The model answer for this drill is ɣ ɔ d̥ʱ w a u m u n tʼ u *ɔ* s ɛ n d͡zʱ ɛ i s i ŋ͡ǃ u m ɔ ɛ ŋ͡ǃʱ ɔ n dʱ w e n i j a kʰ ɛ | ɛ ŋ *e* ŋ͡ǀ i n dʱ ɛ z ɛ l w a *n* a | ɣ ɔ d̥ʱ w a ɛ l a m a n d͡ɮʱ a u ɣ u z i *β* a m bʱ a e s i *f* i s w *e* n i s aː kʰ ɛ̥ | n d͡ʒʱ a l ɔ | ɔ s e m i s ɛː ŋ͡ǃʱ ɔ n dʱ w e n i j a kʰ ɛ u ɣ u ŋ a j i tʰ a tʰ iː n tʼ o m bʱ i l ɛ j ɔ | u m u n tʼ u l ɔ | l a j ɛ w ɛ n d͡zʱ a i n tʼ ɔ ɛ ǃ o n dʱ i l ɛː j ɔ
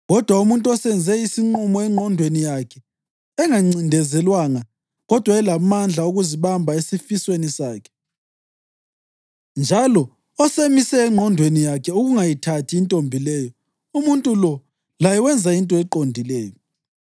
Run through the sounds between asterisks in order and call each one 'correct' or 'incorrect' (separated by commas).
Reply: correct, incorrect, incorrect, correct, correct, correct